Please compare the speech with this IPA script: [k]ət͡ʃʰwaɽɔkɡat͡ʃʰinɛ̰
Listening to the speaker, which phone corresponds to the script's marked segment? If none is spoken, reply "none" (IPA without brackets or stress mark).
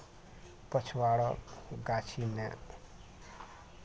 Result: p